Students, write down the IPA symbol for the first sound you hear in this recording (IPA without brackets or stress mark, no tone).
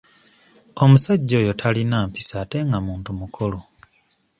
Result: o̞